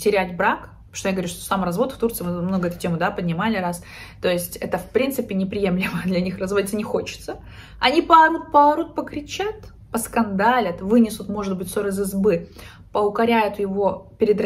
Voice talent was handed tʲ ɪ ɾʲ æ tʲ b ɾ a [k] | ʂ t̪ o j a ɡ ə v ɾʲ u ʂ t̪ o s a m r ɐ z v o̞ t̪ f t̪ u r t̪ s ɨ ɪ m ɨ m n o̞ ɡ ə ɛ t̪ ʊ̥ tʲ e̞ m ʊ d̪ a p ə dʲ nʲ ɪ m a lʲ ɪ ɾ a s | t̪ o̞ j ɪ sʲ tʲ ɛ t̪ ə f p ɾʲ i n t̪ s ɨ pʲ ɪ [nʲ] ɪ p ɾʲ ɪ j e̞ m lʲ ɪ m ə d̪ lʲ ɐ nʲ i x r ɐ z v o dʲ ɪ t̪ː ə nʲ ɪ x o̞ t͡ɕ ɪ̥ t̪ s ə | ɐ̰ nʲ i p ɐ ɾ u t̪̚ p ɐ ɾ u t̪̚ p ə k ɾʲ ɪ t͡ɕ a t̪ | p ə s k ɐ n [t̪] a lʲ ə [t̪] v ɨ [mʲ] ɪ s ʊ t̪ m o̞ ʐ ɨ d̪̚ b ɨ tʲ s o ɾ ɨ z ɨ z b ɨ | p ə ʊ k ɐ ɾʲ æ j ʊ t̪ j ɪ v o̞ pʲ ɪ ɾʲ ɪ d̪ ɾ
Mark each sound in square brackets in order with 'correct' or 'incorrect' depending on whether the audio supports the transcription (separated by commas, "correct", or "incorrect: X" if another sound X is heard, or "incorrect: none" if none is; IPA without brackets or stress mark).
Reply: correct, correct, incorrect: d̪, correct, incorrect: nʲ